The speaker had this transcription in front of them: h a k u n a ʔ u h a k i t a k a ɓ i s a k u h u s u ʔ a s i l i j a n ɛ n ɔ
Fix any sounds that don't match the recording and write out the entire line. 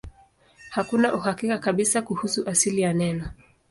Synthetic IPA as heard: h a k u n a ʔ u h a k i k a k a ɓ i s a k u h u s u ʔ a s i l i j a n ɛ n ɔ